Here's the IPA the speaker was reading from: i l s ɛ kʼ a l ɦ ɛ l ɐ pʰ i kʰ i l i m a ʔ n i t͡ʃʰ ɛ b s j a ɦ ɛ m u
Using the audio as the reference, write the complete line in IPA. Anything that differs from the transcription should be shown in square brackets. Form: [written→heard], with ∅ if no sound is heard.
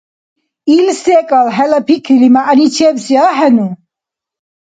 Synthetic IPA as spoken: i l s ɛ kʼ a l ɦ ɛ l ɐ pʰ i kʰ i l i m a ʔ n i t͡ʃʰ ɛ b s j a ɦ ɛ [m→n] u

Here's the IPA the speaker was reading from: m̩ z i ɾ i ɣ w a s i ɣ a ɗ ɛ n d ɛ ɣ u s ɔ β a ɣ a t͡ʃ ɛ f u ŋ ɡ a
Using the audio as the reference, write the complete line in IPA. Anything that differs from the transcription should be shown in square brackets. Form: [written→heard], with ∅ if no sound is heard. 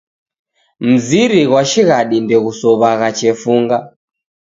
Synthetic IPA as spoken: m̩ z i ɾ i ɣ w a [s→ʃ] i ɣ a ɗ [ɛ→i] n d ɛ ɣ u s ɔ β a ɣ a t͡ʃ ɛ f u ŋ ɡ a

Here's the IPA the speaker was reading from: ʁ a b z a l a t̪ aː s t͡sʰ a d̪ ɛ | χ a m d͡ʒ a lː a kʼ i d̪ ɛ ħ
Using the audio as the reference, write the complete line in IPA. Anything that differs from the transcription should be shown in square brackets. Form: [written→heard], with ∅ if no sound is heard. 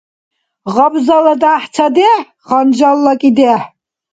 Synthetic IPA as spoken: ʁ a b z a l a [t̪→d̪] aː [s→ħ] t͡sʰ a d̪ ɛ | χ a [m→n] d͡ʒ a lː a kʼ i d̪ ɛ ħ

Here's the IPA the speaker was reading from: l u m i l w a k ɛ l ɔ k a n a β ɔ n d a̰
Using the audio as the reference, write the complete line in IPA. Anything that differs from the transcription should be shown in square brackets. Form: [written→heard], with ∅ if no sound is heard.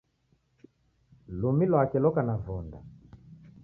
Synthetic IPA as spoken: l u m i l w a k ɛ l ɔ k a n a [β→v] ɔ n d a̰

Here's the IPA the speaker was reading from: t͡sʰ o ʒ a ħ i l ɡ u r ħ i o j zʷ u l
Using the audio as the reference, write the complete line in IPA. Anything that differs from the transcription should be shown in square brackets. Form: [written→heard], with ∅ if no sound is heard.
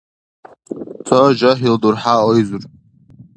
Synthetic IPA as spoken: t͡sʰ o ʒ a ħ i l [ɡ→d] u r ħ [i→a] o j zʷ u [l→r]

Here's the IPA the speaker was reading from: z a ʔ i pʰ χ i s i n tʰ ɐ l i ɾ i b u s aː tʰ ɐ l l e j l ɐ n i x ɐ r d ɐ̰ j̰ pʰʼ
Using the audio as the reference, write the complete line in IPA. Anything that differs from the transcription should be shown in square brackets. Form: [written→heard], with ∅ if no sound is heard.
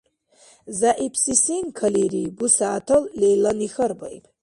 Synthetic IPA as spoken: z a ʔ i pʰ [χ→s] i s i n [tʰ→kʰ] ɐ l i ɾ i b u s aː tʰ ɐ l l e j l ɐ n i x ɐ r [d→b] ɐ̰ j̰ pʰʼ

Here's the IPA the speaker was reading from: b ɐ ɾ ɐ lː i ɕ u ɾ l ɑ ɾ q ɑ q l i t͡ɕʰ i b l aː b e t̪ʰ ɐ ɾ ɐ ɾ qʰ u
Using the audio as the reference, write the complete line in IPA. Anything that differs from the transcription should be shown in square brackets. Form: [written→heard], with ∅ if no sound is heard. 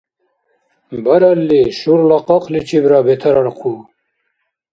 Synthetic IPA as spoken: b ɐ ɾ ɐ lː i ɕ u ɾ l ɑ [ɾ→∅] q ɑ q l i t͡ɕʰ i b [l→ɾ] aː b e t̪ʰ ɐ ɾ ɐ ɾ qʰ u

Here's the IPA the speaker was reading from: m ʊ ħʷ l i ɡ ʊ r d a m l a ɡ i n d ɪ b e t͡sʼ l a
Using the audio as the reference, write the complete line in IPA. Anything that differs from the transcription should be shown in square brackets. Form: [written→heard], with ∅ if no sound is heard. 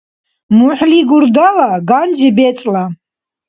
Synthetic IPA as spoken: m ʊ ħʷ l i ɡ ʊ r d a [m→∅] l a ɡ [i→a] n [d→d͡ʒ] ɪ b e t͡sʼ l a

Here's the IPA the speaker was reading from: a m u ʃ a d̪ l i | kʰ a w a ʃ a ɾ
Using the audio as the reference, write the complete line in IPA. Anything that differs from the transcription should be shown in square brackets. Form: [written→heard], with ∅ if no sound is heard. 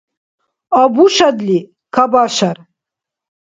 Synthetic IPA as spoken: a [m→b] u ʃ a d̪ l i | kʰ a [w→b] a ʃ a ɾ

